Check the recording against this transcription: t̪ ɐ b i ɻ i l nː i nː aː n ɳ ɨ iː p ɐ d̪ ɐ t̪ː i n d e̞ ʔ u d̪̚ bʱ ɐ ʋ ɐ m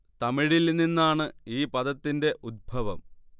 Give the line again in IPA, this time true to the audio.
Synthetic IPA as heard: t̪ ɐ m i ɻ i l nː i nː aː ɳ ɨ iː p ɐ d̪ ɐ t̪ː i n d e̞ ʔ u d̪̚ bʱ ɐ ʋ ɐ m